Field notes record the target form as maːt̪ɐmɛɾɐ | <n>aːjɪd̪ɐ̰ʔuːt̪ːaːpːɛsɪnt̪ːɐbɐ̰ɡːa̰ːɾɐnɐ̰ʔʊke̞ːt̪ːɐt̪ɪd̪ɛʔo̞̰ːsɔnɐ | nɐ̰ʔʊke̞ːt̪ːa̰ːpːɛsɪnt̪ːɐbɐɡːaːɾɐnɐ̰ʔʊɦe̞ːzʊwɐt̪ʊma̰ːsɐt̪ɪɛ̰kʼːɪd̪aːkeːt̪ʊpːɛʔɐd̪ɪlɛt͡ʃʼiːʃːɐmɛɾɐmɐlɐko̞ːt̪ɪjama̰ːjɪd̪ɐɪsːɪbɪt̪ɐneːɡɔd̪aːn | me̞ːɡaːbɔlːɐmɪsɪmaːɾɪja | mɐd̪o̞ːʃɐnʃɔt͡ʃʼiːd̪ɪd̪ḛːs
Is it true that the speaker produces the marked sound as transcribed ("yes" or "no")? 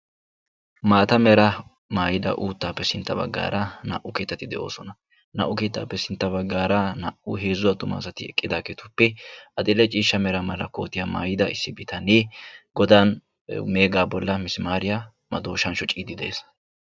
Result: no